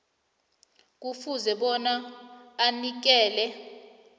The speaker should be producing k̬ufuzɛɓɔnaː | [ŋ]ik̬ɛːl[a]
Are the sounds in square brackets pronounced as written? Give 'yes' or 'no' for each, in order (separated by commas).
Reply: no, no